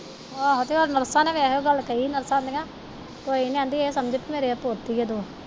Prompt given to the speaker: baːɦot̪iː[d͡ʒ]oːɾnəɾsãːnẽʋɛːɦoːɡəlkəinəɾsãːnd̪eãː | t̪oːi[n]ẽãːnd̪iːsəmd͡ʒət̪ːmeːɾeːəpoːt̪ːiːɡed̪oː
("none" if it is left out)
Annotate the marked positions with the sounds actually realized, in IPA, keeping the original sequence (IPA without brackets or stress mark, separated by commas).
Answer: none, n